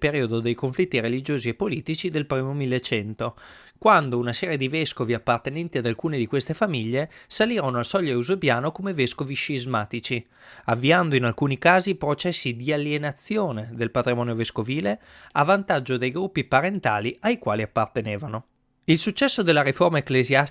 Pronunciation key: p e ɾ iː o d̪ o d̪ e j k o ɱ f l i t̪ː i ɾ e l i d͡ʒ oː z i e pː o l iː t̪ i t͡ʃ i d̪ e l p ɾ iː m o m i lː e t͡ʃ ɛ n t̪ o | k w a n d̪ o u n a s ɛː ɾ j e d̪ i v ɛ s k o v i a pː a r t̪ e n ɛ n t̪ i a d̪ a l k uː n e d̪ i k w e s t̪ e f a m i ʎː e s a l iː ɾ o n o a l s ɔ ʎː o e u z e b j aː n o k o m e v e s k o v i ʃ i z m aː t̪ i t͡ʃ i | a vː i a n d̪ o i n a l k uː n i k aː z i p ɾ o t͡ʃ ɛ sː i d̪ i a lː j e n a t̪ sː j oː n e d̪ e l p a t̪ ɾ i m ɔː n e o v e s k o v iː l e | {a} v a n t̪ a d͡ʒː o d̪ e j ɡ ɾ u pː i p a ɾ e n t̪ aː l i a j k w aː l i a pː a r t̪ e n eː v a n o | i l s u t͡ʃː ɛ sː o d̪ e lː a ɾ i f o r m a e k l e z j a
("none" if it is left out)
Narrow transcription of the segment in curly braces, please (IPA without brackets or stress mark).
a